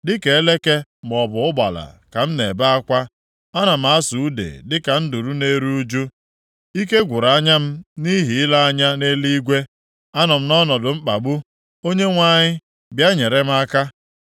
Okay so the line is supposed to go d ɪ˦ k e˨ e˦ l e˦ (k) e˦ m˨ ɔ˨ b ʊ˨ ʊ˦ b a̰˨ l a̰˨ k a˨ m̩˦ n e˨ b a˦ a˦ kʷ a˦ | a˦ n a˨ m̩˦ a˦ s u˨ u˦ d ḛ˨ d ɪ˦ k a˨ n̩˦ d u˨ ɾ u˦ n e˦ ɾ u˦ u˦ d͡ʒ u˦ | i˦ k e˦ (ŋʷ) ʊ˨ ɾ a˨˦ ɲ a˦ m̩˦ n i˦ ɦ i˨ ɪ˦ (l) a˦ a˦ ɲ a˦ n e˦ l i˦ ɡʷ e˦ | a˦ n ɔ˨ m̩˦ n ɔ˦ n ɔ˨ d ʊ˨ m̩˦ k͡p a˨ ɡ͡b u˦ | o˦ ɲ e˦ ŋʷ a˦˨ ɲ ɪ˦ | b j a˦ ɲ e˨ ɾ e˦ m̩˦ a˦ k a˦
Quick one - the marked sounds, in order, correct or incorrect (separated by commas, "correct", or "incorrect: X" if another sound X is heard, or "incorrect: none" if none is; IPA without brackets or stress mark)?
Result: correct, incorrect: ɡʷ, correct